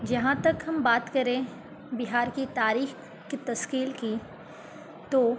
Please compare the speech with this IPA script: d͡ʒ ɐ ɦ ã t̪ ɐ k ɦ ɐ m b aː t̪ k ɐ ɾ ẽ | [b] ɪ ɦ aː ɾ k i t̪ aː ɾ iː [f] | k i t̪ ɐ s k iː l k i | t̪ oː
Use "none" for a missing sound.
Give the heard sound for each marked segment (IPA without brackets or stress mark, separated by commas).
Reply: b, x